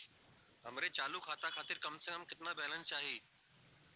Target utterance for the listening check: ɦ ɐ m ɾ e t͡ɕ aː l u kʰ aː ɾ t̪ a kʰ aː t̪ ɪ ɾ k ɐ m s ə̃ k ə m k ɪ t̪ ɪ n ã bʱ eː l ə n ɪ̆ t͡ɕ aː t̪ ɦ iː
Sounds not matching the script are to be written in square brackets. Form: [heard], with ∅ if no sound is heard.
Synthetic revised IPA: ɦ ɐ m ɾ e t͡ɕ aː l u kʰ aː [∅] t̪ a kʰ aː t̪ ɪ ɾ k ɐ m s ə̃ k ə m k ɪ t̪ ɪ n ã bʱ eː l ə n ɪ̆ t͡ɕ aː [∅] ɦ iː